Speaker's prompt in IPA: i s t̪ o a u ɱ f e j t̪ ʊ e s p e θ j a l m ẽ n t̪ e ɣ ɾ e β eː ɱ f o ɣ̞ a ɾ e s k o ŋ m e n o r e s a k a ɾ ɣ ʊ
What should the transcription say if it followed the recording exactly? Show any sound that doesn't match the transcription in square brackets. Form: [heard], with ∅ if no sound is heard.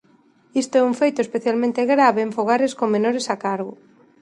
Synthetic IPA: i s t̪ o [ɛ] u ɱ f e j t̪ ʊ e s p e θ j a l m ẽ n t̪ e ɣ ɾ [a] β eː ɱ f o ɣ̞ a ɾ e s k o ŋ m e n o [ɾ] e s a k a ɾ ɣ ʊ